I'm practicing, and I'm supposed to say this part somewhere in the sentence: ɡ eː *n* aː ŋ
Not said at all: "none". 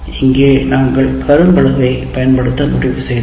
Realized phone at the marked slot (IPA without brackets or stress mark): n